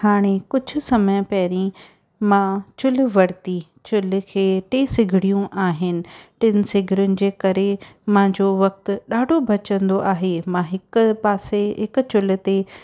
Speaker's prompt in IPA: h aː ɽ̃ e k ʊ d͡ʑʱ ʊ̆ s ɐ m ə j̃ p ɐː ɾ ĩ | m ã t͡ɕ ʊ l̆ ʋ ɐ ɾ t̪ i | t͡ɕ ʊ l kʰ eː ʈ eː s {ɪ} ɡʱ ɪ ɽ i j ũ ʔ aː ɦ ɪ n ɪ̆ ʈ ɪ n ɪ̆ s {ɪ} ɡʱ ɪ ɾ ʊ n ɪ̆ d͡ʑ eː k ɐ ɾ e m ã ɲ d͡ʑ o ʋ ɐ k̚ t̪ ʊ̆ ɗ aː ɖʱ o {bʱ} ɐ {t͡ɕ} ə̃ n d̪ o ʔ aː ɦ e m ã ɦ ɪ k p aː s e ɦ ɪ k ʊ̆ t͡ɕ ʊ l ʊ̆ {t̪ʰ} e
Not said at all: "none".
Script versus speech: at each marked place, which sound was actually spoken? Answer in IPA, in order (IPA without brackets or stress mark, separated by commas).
ɪ, ɪ, bʱ, t͡ɕ, t̪